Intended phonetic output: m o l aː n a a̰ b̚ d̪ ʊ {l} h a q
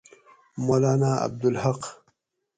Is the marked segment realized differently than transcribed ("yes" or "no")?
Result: no